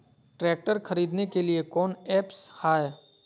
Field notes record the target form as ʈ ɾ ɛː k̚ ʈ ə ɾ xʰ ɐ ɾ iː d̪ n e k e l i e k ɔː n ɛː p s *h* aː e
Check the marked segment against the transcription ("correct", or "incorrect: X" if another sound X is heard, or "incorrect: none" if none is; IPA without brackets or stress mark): correct